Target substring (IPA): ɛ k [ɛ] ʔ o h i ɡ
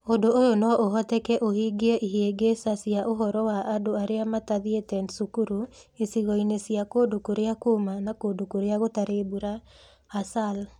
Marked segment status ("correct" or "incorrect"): correct